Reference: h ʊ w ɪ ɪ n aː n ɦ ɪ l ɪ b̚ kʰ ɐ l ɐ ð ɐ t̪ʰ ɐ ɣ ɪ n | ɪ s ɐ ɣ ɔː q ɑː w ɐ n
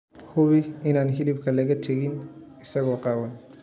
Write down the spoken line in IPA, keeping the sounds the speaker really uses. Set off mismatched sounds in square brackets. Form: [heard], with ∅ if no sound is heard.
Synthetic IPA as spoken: h ʊ [β] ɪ ɪ n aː n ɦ ɪ l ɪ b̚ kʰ ɐ l ɐ [ɣ] ɐ t̪ʰ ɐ ɣ ɪ n | ɪ s ɐ ɣ ɔː q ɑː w ɐ n